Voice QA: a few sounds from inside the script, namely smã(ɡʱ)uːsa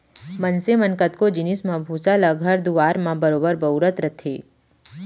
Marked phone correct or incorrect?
incorrect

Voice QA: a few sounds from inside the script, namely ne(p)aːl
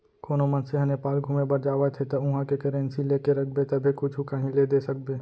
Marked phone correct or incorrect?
correct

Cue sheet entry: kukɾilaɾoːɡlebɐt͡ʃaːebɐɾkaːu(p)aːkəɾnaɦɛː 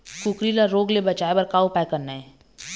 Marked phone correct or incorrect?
correct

